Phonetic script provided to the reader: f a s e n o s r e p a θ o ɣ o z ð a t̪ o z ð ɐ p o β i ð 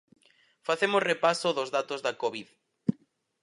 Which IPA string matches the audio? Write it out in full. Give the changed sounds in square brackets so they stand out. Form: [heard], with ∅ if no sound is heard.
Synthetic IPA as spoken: f a [θ] e [m] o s r e p a [s] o [ð] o z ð a t̪ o z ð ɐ [k] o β i ð